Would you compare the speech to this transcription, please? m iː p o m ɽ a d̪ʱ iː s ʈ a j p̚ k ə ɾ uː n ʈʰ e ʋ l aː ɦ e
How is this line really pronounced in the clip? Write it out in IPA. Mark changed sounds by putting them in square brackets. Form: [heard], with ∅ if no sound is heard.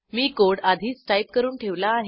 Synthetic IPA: m iː [k] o [∅] ɽ a d̪ʱ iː s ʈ a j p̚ k ə ɾ uː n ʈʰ e ʋ l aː ɦ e